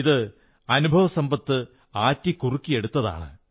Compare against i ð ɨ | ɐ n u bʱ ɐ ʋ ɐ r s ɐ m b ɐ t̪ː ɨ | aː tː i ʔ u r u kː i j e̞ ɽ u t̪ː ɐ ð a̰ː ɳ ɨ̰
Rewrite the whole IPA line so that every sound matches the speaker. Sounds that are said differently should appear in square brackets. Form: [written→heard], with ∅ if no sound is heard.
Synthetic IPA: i ð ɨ | ɐ n u bʱ ɐ ʋ ɐ [r→∅] s ɐ m b ɐ t̪ː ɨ | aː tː i [ʔ→k] u r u kː i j e̞ ɽ u t̪ː ɐ ð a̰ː ɳ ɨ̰